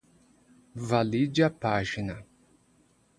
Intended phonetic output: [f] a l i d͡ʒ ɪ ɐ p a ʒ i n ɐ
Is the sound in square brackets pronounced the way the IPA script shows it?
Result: no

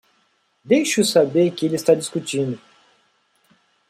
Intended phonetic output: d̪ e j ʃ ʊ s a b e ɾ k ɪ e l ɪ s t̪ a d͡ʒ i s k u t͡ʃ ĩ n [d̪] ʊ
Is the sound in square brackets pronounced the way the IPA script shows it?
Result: yes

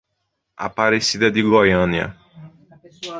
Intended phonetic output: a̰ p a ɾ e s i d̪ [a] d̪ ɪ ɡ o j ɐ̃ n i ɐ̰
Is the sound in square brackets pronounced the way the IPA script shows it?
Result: no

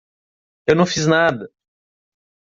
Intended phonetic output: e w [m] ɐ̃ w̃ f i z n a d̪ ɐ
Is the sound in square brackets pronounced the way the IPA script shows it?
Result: no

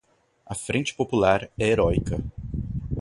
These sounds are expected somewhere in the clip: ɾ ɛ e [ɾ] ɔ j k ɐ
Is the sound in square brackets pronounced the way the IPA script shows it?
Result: yes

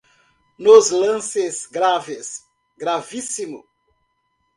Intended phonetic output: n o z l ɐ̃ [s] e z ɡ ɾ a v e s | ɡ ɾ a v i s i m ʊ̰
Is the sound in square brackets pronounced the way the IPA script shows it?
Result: yes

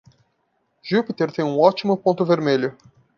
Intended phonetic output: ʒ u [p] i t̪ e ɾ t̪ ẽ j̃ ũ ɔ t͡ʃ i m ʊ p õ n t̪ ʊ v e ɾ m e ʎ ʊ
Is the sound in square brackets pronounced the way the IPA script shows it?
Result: yes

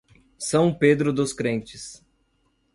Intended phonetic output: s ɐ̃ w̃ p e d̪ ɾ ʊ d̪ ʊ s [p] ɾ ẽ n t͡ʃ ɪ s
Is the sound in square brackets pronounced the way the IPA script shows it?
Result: no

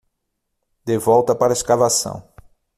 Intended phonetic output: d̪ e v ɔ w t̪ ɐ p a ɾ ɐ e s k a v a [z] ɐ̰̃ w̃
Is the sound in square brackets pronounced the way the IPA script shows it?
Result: no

